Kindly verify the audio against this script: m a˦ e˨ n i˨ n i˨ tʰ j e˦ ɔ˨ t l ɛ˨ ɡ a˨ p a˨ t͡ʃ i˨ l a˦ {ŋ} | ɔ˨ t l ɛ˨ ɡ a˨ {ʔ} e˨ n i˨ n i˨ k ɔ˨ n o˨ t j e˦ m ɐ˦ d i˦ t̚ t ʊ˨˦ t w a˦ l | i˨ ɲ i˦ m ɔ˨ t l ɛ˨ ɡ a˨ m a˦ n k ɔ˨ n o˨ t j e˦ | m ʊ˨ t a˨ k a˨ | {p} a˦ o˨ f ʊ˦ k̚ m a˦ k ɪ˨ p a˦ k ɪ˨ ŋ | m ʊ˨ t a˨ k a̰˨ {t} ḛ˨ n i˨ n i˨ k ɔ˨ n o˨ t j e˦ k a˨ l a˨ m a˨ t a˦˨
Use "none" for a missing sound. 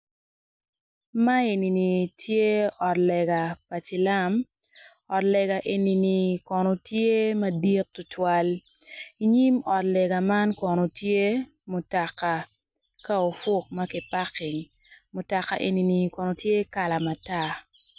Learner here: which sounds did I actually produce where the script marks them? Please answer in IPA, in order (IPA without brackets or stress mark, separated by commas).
m, ʔ, k, ʔ